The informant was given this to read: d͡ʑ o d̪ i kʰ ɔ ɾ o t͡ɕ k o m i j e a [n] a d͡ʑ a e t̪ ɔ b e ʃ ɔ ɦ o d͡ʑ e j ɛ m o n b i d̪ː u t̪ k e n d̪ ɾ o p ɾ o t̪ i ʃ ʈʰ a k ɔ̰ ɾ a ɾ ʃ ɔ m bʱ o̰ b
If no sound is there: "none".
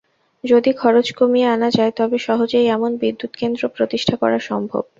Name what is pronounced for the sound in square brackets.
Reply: n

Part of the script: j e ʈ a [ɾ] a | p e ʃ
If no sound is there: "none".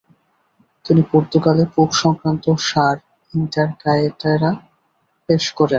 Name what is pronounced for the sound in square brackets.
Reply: ɾ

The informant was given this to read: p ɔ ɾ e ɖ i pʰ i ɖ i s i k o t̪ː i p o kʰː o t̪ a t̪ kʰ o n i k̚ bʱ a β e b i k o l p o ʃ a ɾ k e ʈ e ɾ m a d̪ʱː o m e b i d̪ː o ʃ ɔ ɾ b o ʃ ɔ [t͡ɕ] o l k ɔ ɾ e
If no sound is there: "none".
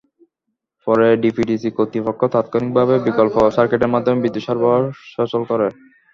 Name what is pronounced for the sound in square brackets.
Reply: t͡ɕ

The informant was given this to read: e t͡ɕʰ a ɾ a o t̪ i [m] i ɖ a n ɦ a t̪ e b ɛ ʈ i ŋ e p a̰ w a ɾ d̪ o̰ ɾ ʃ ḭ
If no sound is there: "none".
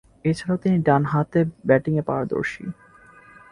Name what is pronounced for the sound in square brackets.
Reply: n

